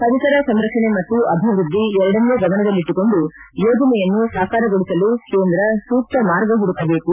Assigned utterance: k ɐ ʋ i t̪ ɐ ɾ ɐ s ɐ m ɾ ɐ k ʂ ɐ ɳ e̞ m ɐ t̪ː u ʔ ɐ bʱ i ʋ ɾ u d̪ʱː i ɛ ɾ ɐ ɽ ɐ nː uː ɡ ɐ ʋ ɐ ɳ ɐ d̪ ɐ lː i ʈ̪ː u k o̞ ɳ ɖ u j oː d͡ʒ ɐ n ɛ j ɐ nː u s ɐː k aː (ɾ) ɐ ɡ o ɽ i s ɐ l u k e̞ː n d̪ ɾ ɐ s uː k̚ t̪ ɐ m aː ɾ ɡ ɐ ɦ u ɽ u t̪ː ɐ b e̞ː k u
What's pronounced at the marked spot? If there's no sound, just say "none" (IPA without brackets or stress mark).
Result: ɾ